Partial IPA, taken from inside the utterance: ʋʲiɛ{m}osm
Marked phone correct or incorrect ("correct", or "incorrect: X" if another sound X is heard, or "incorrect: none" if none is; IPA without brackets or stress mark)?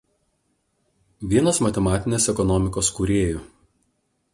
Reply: incorrect: n